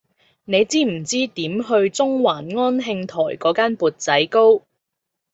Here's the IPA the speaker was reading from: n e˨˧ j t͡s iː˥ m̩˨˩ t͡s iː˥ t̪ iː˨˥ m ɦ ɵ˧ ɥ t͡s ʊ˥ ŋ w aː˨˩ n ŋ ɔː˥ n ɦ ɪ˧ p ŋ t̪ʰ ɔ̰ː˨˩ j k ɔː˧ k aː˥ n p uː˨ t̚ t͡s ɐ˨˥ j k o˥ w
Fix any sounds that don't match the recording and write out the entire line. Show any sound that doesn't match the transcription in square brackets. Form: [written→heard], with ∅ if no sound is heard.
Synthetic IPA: n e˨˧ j t͡s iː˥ m̩˨˩ t͡s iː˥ t̪ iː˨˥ m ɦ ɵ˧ ɥ t͡s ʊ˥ ŋ w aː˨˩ n ŋ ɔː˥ n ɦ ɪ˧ [p→∅] ŋ t̪ʰ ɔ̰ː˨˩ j k [ɔː˧→ɔː˨˥] k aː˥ n p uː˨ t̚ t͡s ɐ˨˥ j k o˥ w